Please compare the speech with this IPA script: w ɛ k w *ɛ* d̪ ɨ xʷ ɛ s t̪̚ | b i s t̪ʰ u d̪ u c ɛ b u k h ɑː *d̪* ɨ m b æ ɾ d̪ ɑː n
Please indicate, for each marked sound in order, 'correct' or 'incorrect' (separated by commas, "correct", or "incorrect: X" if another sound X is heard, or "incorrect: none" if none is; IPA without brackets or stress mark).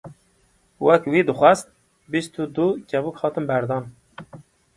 incorrect: i, incorrect: t̪